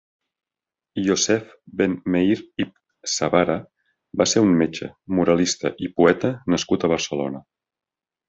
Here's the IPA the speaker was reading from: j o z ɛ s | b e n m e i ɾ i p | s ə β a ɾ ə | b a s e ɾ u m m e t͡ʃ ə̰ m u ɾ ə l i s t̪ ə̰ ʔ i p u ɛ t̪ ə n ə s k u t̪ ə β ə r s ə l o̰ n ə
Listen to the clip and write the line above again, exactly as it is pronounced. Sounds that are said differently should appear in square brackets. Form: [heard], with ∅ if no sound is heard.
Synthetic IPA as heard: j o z ɛ [f] | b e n m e i ɾ i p | s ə β a ɾ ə | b a s e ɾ u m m e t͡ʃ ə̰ m u ɾ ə l i s t̪ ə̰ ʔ i p u ɛ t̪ ə n ə s k u t̪ ə β ə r s ə l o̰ n ə

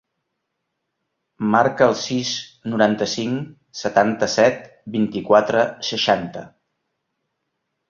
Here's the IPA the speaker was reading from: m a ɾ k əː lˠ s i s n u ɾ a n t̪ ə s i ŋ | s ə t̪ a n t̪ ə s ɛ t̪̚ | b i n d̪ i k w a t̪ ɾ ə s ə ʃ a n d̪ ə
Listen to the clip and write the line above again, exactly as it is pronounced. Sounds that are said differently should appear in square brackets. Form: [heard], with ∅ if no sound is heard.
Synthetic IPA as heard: m a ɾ k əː lˠ s i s n u ɾ a n t̪ ə s i ŋ | s ə t̪ a n t̪ ə s ɛ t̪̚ | b i n [t̪] i k w a t̪ ɾ ə s ə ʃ a n [t̪] ə

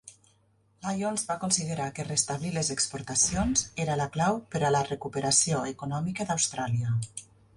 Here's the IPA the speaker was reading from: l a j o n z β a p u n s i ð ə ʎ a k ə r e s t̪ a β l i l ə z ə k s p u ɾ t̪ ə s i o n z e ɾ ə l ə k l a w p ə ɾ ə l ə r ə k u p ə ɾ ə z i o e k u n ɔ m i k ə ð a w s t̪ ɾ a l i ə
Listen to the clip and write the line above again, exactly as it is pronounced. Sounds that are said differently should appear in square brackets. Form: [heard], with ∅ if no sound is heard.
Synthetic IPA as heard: l a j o n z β a [k] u n s i ð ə [ɾ] a k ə r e s t̪ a β l i l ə z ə k s p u ɾ t̪ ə s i o n z e ɾ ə l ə k l a w p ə ɾ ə l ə r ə k u p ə ɾ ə [s] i o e k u n ɔ m i k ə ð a w s t̪ ɾ a l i ə

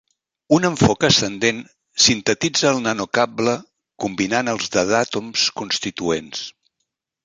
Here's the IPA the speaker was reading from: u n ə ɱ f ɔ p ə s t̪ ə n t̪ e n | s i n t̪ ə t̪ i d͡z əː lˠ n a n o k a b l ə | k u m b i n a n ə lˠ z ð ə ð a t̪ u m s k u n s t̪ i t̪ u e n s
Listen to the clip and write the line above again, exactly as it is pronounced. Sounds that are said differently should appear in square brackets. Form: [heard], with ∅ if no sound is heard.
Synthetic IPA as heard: u n ə ɱ f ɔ [k] ə s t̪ ə n [d̪] e n | s i n t̪ ə t̪ i d͡z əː lˠ n a n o k a b l ə | k u m b i n a n ə lˠ z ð ə ð a t̪ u m s k u n s t̪ i t̪ u e n s

